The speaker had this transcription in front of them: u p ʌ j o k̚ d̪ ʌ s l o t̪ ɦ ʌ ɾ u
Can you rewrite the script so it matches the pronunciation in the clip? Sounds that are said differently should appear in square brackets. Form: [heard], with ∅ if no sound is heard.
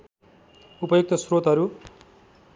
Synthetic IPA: u p ʌ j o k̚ [t̪] ʌ s [r] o t̪ ɦ ʌ ɾ u